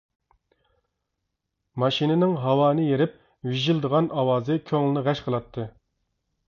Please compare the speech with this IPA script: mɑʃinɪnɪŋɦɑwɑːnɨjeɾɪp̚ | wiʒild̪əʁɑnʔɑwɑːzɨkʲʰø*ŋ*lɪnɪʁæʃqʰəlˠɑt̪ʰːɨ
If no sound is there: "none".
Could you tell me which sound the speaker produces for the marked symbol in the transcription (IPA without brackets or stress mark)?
ŋ